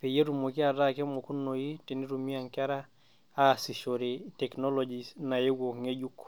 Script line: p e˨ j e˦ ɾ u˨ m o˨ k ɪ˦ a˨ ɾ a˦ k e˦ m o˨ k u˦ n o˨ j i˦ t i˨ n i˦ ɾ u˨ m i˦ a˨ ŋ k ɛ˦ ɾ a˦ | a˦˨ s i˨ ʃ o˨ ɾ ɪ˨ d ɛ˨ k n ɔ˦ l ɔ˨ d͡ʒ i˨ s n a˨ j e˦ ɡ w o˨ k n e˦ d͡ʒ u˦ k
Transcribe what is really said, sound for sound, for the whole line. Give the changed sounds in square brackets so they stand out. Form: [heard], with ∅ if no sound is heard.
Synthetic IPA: p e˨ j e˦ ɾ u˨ m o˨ k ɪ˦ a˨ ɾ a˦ k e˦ m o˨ k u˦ n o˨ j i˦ t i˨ n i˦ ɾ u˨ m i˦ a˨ ŋ k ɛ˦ ɾ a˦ | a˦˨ s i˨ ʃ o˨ ɾ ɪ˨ [t] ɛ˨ k n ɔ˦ l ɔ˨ d͡ʒ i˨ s n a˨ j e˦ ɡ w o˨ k [ŋ] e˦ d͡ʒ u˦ k